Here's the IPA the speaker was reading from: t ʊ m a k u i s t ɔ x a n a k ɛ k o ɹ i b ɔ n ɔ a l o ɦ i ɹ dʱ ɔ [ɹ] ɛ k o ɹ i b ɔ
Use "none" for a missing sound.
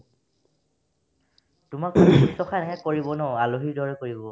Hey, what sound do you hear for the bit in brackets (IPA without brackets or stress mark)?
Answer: ɹ